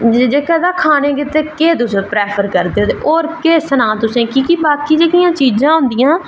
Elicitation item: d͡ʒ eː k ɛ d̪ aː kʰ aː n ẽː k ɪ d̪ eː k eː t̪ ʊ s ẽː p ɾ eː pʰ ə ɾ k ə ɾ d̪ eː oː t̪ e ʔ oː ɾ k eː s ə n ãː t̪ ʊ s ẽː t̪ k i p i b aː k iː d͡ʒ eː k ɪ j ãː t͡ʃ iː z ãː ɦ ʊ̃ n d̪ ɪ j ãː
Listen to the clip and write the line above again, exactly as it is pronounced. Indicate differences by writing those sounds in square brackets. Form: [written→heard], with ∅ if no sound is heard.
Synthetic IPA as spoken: d͡ʒ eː k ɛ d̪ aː kʰ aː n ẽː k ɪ [d̪→t̪] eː k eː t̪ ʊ s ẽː p ɾ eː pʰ ə ɾ k ə ɾ d̪ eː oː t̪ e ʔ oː ɾ k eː s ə n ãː t̪ ʊ s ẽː [t̪→∅] k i [p→k] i b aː k iː d͡ʒ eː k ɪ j ãː t͡ʃ iː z ãː ɦ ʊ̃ n d̪ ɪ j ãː